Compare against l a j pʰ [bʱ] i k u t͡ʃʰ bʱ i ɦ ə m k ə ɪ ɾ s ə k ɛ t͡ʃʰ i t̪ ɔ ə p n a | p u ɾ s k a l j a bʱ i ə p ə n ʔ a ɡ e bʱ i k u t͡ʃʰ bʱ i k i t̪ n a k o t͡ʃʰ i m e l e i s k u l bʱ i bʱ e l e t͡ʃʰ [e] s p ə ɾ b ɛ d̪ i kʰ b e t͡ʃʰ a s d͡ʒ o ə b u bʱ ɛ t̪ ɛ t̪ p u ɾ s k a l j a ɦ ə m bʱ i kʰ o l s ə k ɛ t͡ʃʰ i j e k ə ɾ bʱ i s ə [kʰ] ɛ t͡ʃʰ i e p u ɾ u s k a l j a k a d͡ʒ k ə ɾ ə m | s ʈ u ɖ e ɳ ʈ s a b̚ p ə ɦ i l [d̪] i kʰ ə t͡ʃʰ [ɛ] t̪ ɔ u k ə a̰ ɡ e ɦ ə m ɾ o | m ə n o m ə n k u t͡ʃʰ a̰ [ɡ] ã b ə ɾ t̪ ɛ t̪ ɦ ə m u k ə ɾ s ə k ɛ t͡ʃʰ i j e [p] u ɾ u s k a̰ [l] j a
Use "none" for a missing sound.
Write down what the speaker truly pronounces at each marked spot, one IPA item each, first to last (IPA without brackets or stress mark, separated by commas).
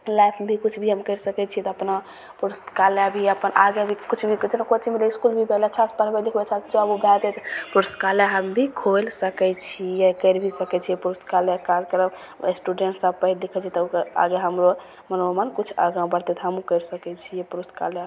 bʱ, a, k, d̪, i, ɡ, p, l